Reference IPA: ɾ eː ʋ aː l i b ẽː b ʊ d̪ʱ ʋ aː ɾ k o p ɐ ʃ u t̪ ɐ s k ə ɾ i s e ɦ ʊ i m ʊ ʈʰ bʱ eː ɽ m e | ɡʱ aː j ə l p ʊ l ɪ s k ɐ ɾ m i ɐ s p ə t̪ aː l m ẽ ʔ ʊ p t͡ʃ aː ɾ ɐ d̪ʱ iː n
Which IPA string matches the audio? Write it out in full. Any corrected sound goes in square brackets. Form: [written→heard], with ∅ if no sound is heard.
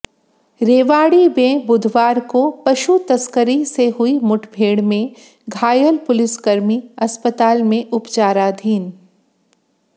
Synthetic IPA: ɾ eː ʋ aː [l→ɽ] i b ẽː b ʊ d̪ʱ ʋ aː ɾ k o p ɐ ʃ u t̪ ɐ s k ə ɾ i s e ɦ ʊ i m ʊ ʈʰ bʱ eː ɽ m [e→ẽ] | ɡʱ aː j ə l p ʊ l ɪ s k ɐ ɾ m i ɐ s p ə t̪ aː l m ẽ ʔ ʊ p t͡ʃ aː ɾ [ɐ→a] d̪ʱ iː n

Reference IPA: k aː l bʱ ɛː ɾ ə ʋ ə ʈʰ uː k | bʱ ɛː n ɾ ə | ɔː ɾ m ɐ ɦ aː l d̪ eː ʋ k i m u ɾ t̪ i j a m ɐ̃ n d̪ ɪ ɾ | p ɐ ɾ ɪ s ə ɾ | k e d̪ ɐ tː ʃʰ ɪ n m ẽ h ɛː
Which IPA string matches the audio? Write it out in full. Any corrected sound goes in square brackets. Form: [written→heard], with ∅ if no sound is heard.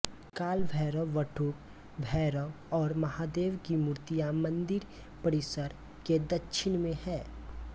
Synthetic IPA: k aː l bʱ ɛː ɾ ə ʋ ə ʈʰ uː k | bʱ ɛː [n→∅] ɾ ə | ɔː ɾ m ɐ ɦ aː [l→∅] d̪ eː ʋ k i m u ɾ t̪ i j a m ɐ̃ n d̪ ɪ ɾ | p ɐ ɾ ɪ s ə ɾ | k e d̪ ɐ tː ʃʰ ɪ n m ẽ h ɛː

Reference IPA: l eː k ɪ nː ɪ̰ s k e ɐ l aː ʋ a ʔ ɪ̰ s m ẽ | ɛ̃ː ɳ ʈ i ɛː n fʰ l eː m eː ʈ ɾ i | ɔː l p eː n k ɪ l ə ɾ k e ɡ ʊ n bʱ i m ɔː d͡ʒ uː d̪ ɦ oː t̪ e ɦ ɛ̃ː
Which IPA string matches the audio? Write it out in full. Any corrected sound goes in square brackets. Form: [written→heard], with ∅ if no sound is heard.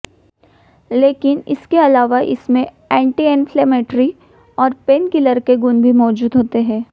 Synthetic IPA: l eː k ɪ [nː→n] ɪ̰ s k e ɐ l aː ʋ a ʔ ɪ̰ s m ẽ | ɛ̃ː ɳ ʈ i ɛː n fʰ l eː m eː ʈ ɾ i | ɔː [l→ɾ] p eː n k ɪ l ə ɾ k e ɡ ʊ n bʱ i m ɔː d͡ʒ uː d̪ ɦ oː t̪ e ɦ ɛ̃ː

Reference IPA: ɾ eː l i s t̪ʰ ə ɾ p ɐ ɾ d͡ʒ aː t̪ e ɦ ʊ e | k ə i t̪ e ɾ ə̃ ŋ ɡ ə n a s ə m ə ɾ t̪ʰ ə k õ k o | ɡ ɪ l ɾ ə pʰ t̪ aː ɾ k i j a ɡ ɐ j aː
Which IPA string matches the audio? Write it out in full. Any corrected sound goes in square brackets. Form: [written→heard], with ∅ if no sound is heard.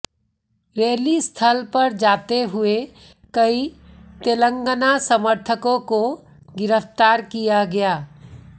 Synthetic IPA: ɾ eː l i s t̪ʰ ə [ɾ→l] p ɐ ɾ d͡ʒ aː t̪ e ɦ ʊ e | k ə i t̪ e [ɾ→l] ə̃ ŋ ɡ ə n a s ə m ə ɾ t̪ʰ ə k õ k o | ɡ ɪ [l→∅] ɾ ə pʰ t̪ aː ɾ k i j a ɡ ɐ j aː

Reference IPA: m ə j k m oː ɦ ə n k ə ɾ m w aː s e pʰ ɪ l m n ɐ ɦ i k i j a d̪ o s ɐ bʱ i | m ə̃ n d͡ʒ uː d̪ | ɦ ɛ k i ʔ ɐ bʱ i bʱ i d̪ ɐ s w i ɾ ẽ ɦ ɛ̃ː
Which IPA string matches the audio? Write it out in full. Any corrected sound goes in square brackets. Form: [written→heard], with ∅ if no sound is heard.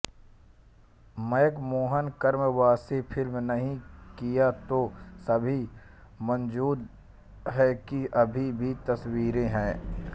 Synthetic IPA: m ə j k m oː ɦ ə n k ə ɾ m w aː s e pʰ ɪ l m n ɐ ɦ [i→ĩ] k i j a [d̪→t̪] o s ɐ bʱ i | m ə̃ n d͡ʒ uː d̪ | ɦ ɛ k i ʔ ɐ bʱ i bʱ i [d̪→t̪] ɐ s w [i→iː] ɾ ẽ ɦ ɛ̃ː

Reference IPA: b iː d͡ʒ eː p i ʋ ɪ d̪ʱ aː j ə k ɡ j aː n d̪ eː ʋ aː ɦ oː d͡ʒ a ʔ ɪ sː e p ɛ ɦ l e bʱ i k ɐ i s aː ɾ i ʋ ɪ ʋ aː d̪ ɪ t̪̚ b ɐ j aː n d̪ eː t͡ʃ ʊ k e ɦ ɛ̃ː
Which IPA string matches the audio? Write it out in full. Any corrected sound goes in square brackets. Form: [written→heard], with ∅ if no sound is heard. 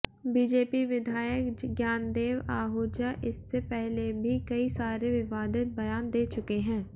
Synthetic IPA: b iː d͡ʒ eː p i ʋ ɪ d̪ʱ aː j ə k ɡ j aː n d̪ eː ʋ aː ɦ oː d͡ʒ a ʔ ɪ sː e p ɛ ɦ l e bʱ i k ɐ i s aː ɾ [i→e] ʋ ɪ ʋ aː d̪ ɪ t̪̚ b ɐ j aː n d̪ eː t͡ʃ ʊ k e ɦ ɛ̃ː

